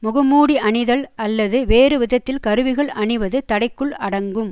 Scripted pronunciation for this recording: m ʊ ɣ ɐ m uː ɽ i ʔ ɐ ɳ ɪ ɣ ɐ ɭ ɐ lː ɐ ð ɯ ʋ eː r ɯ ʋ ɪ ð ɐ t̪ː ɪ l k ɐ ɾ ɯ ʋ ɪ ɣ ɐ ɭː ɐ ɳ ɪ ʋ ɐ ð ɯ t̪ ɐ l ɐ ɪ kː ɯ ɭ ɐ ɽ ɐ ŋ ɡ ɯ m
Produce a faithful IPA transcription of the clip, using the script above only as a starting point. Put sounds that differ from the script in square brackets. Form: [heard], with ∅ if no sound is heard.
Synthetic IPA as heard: m ʊ ɣ ɐ m uː ɽ i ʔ ɐ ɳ ɪ [ð] ɐ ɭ ɐ lː ɐ ð ɯ ʋ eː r ɯ ʋ ɪ ð ɐ t̪ː ɪ l k ɐ ɾ ɯ ʋ ɪ ɣ ɐ [ɭ] ɐ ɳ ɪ ʋ ɐ ð ɯ t̪ ɐ [ɽ] ɐ ɪ kː ɯ ɭ ɐ ɽ ɐ ŋ ɡ ɯ m